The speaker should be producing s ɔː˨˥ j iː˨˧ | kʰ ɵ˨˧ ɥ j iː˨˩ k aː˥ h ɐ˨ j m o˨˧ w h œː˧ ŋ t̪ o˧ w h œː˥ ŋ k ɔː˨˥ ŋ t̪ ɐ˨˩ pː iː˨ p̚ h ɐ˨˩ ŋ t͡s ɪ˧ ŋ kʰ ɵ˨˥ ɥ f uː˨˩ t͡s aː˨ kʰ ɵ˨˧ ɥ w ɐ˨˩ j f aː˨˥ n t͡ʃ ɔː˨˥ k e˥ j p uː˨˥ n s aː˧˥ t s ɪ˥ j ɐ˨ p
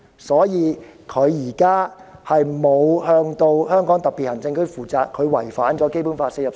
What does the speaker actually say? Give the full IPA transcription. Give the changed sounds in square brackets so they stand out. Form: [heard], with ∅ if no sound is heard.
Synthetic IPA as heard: s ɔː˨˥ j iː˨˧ | kʰ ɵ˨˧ ɥ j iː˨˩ k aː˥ h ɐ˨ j m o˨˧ w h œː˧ ŋ t̪ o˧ w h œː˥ ŋ k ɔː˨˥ ŋ t̪ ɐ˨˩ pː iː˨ [t̚] h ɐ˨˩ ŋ t͡s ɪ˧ ŋ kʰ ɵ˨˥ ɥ f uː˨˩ t͡s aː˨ kʰ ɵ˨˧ ɥ w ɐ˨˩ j f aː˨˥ n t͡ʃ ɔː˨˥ k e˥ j p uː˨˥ n [f] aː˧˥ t s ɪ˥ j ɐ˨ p